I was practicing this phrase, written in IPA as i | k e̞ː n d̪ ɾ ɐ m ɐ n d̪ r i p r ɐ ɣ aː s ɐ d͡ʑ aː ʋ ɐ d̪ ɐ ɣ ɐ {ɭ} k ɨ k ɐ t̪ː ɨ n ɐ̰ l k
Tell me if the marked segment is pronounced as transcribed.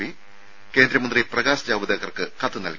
no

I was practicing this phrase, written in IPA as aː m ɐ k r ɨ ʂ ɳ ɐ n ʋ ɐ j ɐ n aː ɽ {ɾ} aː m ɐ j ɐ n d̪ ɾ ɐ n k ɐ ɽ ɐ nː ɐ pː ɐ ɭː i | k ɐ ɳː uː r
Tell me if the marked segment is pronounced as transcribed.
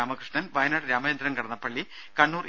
yes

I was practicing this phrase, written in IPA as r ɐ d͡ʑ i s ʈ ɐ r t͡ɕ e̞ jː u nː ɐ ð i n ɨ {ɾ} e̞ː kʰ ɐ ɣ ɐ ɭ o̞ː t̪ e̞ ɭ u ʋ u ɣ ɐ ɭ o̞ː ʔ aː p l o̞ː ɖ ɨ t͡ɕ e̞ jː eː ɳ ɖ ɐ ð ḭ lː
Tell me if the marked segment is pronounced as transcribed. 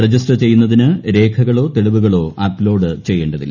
yes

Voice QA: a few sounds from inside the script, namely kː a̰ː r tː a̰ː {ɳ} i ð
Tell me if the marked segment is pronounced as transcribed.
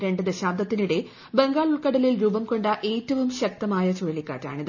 yes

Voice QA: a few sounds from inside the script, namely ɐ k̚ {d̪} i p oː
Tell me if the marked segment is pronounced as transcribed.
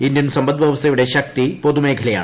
no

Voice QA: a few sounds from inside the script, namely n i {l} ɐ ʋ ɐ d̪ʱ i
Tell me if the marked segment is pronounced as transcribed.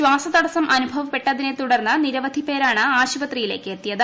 no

